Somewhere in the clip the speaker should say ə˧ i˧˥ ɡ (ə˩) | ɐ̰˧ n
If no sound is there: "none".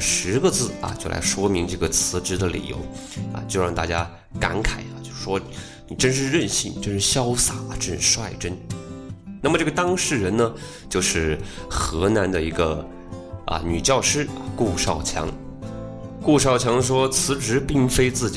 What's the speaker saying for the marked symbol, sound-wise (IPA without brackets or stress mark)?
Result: ə˧